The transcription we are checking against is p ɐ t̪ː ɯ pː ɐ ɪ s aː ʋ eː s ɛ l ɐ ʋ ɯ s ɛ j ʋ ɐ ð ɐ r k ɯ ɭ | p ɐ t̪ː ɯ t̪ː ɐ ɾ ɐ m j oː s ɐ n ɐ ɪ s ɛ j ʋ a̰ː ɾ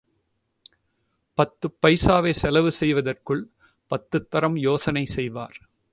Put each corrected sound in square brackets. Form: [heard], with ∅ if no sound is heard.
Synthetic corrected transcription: p ɐ t̪ː ɯ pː ɐ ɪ s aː ʋ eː s ɛ l ɐ ʋ ɯ s ɛ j ʋ ɐ ð ɐ r k ɯ ɭ | p ɐ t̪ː ɯ t̪ː ɐ ɾ ɐ m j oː s ɐ n ɐ ɪ s ɛ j ʋ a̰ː ɾ

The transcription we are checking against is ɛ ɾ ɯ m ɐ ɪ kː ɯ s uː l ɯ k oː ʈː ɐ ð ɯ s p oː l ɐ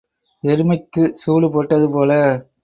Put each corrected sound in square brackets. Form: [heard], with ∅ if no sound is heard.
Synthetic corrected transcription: ɛ ɾ ɯ m ɐ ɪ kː ɯ s uː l ɯ [p] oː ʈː ɐ ð ɯ [∅] p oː l ɐ

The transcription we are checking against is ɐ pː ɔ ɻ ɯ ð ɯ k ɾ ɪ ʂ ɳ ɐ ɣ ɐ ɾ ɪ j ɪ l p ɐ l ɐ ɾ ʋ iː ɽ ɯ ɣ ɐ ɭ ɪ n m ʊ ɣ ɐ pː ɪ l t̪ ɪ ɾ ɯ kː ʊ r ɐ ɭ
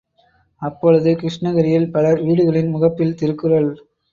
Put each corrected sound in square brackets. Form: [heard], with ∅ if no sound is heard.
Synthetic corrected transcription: ɐ pː ɔ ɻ ɯ ð ɯ k ɾ ɪ ʂ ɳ ɐ ɣ ɐ ɾ ɪ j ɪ l p ɐ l ɐ ɾ ʋ iː ɽ ɯ ɣ ɐ ɭ ɪ n m ʊ ɣ ɐ pː ɪ l t̪ ɪ ɾ ɯ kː [ɯ] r ɐ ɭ

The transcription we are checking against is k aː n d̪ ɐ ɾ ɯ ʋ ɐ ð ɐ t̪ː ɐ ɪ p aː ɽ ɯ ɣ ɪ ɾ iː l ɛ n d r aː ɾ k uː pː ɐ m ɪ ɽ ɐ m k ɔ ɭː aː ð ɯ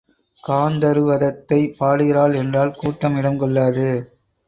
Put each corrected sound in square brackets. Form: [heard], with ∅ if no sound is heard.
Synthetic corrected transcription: k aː n d̪ ɐ ɾ ɯ ʋ ɐ ð ɐ t̪ː ɐ ɪ p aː ɽ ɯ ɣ ɪ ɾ [aː] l ɛ n d r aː [l] k uː [ʈː] ɐ m ɪ ɽ ɐ m k ɔ ɭː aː ð ɯ

